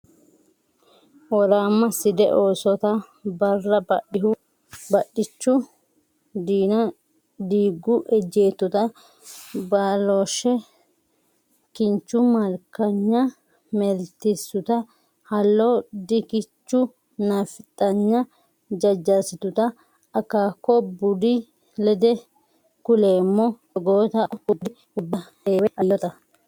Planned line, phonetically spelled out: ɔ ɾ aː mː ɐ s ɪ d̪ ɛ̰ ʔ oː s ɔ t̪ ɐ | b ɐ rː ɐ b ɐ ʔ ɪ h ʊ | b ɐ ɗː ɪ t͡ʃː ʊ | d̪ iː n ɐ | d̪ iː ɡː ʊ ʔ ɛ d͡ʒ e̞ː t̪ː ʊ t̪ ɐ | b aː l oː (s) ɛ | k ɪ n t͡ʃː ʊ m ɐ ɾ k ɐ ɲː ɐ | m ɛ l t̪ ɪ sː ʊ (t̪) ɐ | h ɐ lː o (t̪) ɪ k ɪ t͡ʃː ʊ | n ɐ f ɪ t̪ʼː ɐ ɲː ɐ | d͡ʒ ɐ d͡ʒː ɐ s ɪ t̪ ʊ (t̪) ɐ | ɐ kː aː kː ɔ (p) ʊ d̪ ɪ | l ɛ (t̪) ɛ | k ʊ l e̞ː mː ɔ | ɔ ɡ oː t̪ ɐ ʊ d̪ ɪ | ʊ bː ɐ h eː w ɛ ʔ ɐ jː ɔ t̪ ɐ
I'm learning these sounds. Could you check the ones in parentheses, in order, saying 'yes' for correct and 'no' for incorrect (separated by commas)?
no, yes, no, yes, no, no